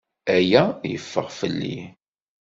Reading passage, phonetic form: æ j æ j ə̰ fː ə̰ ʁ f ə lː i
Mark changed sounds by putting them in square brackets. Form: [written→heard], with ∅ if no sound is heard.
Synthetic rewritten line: æ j æ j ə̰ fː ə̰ ʁ f ə lː i